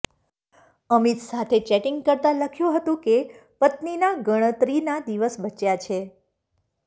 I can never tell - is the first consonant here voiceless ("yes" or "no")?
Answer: no